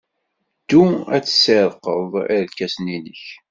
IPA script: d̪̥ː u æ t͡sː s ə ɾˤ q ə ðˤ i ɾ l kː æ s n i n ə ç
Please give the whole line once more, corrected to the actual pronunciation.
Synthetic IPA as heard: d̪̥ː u æ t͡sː s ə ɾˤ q ə ðˤ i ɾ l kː æ s n i n ə ç